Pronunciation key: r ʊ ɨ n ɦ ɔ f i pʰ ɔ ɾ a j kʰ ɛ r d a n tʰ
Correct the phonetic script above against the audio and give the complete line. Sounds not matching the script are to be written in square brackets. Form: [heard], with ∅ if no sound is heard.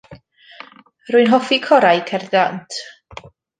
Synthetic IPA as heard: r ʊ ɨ n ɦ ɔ f i [kʰ] ɔ ɾ a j kʰ ɛ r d a n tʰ